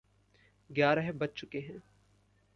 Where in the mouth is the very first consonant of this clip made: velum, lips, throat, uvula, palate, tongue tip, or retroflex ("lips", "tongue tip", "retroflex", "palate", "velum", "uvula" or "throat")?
velum